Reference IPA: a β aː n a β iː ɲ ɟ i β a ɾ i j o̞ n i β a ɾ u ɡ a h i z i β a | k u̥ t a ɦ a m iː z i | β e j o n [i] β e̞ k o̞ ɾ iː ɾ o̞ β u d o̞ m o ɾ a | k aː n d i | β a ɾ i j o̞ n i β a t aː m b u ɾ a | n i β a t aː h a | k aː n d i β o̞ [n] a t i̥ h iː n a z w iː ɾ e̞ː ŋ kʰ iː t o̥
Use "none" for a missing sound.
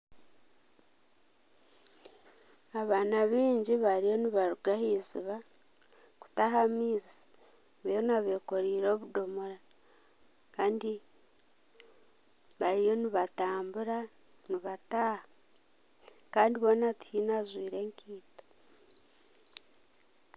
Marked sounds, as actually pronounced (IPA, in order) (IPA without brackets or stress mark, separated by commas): a, n